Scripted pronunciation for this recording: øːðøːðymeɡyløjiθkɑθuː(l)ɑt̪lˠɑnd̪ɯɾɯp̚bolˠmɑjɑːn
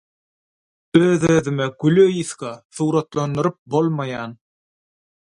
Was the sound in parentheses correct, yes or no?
no